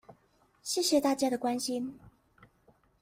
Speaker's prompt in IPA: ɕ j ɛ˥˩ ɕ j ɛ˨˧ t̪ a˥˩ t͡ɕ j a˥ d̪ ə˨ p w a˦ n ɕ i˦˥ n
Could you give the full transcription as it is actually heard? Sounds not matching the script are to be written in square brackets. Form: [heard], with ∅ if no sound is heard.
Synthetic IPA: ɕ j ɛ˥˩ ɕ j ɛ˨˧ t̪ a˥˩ t͡ɕ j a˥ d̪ ə˨ [k] w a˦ n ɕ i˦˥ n